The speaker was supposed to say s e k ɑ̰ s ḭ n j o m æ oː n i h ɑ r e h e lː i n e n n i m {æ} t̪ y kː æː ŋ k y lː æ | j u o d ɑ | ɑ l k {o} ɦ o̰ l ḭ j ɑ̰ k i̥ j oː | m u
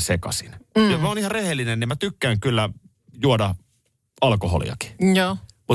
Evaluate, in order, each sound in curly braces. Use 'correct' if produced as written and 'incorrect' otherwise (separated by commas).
correct, correct